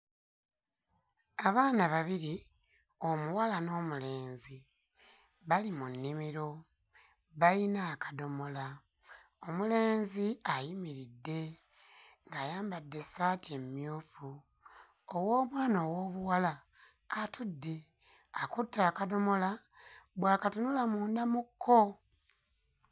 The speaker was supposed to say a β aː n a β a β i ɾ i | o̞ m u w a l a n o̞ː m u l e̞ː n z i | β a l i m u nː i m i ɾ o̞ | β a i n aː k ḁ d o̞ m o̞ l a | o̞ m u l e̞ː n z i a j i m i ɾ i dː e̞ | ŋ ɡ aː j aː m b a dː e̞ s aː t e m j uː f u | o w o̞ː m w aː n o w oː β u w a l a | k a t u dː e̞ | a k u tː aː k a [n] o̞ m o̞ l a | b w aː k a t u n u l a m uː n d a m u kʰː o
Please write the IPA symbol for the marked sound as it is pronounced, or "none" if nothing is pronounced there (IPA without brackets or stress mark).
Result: d